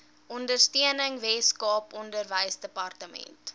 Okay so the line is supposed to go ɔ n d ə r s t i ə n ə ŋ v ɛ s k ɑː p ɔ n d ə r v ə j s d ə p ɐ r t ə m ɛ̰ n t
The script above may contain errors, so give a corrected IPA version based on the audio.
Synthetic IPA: ɔ n d ə r s t i ə n ə ŋ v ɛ s k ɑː p ɔ n d ə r v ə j s d ə p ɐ r t ə m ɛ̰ n t